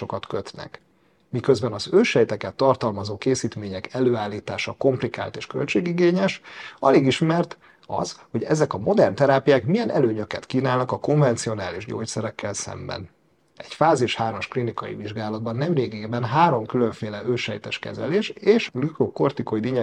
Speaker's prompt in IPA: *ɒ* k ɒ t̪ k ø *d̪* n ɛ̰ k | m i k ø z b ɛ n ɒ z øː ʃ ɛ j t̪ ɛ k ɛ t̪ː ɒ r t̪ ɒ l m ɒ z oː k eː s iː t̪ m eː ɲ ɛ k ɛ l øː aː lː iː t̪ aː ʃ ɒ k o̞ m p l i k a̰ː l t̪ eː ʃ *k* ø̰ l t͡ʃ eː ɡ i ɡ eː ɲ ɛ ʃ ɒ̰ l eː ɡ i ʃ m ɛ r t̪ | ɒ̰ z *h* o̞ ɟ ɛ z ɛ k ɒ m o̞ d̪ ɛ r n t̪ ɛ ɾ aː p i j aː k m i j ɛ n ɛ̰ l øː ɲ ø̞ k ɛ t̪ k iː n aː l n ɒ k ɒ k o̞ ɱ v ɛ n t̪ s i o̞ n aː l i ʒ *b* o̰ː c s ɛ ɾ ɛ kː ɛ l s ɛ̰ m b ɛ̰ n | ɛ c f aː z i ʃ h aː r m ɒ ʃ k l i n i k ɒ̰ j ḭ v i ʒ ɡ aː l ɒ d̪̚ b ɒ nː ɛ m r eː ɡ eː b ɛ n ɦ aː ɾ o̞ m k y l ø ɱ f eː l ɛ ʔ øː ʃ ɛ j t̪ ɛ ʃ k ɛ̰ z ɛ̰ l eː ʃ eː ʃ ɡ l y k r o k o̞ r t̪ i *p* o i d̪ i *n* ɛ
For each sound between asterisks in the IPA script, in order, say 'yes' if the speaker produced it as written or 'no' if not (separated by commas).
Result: no, no, yes, yes, no, no, no